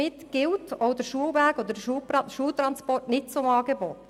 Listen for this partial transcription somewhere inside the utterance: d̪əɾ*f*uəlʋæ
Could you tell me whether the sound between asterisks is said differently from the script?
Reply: yes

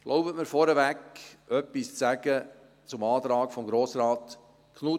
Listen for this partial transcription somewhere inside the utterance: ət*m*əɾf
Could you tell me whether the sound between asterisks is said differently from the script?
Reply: no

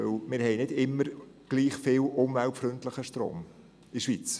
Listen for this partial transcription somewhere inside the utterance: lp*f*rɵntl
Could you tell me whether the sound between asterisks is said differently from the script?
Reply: no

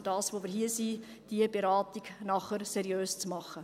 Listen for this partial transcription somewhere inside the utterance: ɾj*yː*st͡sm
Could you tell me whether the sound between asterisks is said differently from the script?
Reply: yes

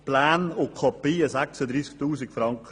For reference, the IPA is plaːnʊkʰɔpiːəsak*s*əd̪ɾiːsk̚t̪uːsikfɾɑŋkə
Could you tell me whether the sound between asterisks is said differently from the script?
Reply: no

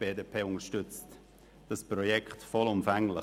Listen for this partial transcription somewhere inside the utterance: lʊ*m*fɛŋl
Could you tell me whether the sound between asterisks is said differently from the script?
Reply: no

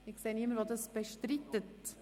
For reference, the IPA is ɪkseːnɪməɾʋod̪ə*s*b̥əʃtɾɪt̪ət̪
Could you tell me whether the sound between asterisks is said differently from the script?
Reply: no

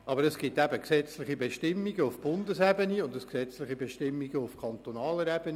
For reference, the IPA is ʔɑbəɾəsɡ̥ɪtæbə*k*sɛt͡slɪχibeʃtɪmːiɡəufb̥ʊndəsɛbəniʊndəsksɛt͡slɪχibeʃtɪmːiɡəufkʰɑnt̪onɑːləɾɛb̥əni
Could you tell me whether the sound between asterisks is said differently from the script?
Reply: no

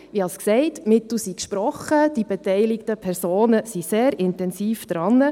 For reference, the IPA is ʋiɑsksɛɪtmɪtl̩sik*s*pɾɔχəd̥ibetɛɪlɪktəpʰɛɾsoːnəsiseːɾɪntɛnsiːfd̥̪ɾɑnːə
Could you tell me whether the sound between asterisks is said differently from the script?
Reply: yes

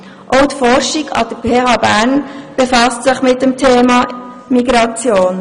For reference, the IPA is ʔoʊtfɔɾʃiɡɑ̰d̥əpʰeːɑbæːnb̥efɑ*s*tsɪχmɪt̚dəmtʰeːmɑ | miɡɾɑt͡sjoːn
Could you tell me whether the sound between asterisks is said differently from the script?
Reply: no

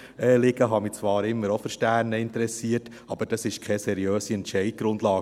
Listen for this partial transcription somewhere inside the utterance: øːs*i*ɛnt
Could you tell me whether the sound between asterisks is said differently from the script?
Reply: no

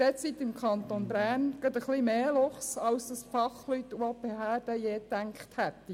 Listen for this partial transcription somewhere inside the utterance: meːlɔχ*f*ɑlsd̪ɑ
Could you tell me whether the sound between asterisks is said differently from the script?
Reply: yes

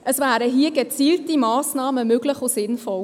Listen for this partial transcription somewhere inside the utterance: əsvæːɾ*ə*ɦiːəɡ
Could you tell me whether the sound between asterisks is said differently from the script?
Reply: no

